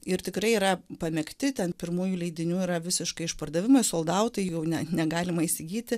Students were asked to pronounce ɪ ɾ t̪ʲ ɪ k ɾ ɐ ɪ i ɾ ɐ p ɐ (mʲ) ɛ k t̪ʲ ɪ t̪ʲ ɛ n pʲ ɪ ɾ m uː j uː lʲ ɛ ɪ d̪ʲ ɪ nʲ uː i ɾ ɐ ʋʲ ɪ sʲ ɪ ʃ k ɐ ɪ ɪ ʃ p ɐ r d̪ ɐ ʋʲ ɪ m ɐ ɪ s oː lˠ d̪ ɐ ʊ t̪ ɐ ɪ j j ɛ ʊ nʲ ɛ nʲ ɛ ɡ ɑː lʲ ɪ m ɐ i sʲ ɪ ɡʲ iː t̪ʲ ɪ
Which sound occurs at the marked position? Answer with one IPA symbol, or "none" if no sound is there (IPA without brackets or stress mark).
mʲ